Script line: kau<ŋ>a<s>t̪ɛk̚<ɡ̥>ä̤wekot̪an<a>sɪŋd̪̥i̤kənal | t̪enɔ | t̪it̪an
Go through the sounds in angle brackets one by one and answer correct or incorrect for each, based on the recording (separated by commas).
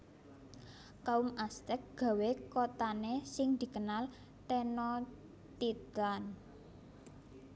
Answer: incorrect, correct, correct, incorrect